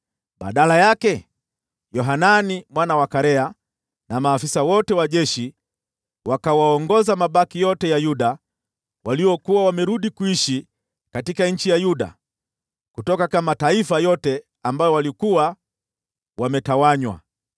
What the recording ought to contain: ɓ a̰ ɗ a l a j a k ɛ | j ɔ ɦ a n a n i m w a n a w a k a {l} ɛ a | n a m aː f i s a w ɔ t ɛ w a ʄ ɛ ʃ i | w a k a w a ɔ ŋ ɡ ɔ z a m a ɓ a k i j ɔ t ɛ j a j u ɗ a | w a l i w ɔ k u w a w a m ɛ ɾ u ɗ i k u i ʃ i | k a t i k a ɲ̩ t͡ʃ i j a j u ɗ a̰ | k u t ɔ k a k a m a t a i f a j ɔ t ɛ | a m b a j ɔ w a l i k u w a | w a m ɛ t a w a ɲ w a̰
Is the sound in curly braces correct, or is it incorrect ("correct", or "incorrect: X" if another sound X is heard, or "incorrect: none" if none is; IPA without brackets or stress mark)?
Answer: incorrect: ɾ